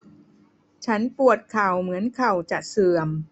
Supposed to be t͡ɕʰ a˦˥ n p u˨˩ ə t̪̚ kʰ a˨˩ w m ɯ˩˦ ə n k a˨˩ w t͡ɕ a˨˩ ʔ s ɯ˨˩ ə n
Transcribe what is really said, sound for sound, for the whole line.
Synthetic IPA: t͡ɕʰ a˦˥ n p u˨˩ ə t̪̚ kʰ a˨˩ w m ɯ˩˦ ə n kʰ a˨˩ w t͡ɕ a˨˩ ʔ s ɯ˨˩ ə m

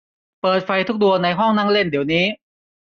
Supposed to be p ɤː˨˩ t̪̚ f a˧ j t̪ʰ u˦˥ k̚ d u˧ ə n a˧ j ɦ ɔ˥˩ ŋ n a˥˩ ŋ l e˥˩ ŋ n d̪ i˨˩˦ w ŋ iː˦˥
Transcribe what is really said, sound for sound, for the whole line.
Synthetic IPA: p ɤː˨˩ t̪̚ f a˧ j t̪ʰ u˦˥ k̚ d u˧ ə n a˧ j ɦ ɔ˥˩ ŋ n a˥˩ ŋ l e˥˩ n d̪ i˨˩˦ w n iː˦˥

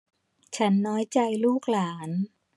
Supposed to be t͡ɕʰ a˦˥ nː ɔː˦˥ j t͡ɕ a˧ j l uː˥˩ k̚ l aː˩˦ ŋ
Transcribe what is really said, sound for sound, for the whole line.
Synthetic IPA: t͡ɕʰ a˦˥ nː ɔː˦˥ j t͡ɕ a˧ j l uː˥˩ k̚ l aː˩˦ n

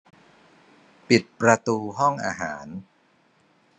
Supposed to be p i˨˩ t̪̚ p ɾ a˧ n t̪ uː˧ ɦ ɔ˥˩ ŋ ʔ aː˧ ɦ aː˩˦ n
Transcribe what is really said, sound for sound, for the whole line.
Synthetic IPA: p i˨˩ t̪̚ p ɾ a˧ t̪ uː˧ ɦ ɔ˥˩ ŋ ʔ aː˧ ɦ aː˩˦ n

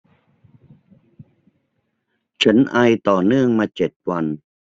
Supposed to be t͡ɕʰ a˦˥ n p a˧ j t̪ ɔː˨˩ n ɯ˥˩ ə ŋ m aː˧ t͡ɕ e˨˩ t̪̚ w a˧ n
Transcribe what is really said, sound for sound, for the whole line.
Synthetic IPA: t͡ɕʰ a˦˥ n ʔ a˧ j t̪ ɔː˨˩ n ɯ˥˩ ə ŋ m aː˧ t͡ɕ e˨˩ t̪̚ w a˧ n

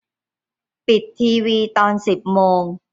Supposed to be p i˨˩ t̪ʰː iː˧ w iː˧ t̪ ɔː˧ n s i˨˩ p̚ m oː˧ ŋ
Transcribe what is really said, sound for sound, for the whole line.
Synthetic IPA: p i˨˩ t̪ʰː iː˧ w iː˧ t̪ ɔː˧ n s i˨˩ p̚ m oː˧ ŋ

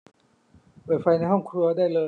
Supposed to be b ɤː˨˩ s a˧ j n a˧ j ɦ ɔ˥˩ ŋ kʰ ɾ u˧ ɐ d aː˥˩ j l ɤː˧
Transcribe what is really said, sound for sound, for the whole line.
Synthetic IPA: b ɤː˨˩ f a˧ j n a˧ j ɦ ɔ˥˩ ŋ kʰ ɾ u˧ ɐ d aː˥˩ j l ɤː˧

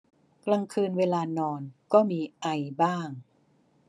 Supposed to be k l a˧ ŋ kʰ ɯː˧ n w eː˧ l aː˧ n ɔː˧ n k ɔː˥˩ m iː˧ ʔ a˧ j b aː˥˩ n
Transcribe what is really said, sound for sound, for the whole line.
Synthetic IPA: k l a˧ ŋ kʰ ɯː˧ n w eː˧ l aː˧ n ɔː˧ n k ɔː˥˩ m iː˧ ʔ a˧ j b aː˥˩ ŋ

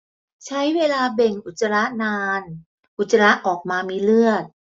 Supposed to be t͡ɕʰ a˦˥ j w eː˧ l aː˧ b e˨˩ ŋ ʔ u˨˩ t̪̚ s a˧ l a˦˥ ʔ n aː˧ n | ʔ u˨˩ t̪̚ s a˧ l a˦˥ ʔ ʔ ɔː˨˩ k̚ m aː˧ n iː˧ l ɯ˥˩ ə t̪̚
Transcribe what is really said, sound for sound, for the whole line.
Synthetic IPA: t͡ɕʰ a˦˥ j w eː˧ l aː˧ b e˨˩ ŋ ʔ u˨˩ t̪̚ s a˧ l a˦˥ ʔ n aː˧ n | ʔ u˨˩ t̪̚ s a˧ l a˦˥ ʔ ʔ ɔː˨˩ k̚ m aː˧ m iː˧ l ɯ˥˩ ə t̪̚

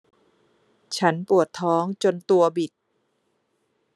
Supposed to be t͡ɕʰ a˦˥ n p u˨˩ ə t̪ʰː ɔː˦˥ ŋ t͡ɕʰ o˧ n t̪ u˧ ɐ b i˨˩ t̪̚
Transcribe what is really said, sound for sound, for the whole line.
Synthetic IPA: t͡ɕʰ a˦˥ n p u˨˩ ə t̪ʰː ɔː˦˥ ŋ t͡ɕ o˧ n t̪ u˧ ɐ b i˨˩ t̪̚

